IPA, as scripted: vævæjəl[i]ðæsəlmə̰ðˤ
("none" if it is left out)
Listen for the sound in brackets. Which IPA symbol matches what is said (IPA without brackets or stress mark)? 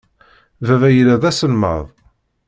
æ